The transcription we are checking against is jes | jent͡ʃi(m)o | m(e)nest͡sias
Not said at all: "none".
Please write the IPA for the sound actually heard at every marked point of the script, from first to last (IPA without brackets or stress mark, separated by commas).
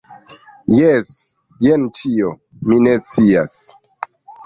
none, i